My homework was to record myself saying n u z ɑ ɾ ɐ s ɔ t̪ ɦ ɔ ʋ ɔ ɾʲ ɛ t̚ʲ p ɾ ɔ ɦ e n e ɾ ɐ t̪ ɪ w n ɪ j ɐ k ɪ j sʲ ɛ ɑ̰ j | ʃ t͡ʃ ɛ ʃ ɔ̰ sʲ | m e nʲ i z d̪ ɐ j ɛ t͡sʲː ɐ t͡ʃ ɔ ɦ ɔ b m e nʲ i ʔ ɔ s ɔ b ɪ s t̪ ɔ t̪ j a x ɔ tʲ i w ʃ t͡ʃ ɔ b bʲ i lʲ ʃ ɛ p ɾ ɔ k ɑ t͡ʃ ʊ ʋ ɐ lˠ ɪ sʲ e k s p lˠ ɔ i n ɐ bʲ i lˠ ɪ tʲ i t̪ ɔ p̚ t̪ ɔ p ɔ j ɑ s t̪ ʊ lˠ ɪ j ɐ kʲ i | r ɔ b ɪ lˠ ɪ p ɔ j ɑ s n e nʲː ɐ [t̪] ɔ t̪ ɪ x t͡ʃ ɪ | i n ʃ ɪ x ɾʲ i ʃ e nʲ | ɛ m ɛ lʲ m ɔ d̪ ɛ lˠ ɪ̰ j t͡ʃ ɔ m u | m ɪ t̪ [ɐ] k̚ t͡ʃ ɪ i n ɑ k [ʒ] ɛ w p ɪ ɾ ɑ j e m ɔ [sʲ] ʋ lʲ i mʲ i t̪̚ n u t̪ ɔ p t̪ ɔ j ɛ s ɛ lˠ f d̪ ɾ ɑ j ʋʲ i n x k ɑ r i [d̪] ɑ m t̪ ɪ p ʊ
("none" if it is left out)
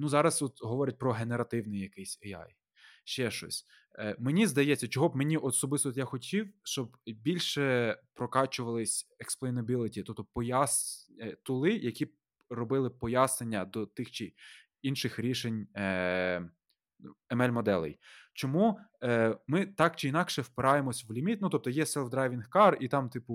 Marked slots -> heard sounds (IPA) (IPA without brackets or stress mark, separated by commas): d̪, ɑ, ʃ, sʲ, t̪